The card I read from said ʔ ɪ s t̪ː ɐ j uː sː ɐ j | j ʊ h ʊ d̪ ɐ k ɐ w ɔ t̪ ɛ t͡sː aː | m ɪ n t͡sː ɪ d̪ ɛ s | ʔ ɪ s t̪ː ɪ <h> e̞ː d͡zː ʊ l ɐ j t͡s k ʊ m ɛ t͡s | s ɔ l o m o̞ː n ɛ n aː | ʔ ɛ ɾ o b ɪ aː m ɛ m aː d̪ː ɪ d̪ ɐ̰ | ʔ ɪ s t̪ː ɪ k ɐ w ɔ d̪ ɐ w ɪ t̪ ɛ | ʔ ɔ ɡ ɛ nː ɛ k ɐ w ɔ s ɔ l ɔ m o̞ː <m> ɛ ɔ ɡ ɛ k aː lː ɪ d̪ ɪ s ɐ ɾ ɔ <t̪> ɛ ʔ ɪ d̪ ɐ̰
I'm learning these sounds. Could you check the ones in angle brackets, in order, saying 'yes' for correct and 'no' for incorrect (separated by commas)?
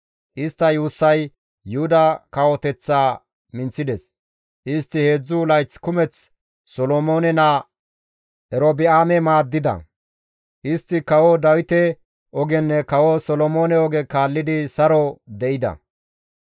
yes, no, no